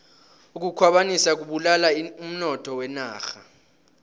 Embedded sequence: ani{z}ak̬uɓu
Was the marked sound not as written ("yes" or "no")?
yes